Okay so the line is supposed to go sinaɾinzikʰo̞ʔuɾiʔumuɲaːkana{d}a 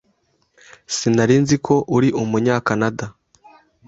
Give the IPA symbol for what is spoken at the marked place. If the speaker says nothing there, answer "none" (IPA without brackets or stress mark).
d